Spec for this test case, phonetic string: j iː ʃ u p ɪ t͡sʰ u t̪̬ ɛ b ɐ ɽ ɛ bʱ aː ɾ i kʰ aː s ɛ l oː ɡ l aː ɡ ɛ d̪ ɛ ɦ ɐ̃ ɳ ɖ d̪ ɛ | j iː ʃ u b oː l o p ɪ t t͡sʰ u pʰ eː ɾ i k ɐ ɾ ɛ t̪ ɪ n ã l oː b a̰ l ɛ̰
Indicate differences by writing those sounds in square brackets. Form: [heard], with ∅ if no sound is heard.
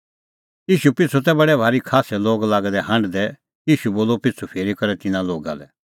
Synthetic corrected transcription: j iː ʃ u p ɪ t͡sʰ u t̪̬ ɛ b ɐ ɽ ɛ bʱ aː ɾ i kʰ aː s ɛ l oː ɡ l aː ɡ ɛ d̪ ɛ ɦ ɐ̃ ɳ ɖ d̪ ɛ | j iː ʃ u b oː l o p ɪ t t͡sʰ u pʰ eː ɾ i k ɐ ɾ ɛ t̪ ɪ n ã l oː [ɡ] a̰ l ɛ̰